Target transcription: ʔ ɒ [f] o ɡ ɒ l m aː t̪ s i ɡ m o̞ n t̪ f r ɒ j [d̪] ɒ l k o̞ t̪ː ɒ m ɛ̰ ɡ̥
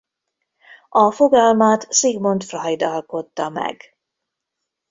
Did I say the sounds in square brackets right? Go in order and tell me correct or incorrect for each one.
correct, correct

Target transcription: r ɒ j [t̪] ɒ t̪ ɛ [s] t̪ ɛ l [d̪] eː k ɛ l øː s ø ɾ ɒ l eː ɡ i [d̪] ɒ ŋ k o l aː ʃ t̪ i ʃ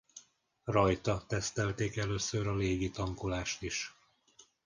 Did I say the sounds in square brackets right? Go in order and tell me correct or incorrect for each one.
correct, correct, incorrect, incorrect

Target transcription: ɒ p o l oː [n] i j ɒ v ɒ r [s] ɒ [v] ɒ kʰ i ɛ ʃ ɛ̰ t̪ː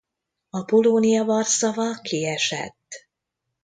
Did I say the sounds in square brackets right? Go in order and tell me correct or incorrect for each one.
correct, correct, correct

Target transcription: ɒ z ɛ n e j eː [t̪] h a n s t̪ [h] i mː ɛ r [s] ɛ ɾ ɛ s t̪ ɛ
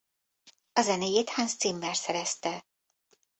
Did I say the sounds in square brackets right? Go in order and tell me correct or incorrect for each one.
correct, incorrect, correct

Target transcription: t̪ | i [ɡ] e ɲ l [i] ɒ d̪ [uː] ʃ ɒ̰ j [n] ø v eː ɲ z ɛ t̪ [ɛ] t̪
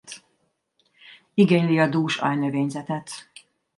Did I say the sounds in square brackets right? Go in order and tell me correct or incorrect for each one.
correct, correct, correct, correct, correct

